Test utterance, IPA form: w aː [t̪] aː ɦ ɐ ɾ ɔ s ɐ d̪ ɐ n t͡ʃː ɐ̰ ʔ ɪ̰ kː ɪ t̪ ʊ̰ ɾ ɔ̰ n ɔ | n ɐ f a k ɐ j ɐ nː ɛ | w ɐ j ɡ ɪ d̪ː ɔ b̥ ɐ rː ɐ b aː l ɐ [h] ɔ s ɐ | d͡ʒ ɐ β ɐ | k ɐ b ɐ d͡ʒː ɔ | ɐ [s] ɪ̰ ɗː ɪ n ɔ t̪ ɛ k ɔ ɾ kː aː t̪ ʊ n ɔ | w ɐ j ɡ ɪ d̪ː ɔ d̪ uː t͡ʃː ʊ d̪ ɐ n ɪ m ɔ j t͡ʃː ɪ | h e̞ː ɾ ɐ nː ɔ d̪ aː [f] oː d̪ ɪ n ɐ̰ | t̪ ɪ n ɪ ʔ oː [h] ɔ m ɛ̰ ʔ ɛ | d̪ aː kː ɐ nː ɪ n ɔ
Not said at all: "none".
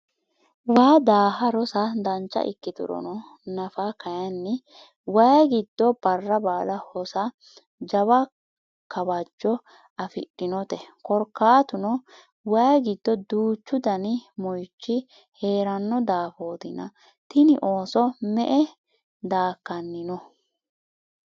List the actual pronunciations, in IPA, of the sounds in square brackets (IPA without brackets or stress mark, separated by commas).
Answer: d̪, h, f, f, s